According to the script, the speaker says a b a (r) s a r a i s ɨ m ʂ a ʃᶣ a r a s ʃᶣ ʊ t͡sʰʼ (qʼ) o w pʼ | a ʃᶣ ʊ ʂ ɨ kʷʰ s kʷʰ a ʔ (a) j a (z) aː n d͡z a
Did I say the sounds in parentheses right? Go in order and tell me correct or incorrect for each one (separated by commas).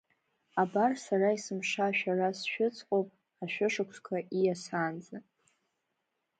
correct, correct, incorrect, incorrect